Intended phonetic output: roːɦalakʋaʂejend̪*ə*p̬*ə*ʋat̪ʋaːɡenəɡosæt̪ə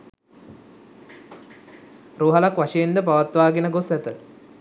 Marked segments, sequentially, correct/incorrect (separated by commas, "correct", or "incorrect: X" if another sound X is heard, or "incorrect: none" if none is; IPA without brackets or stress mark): correct, incorrect: a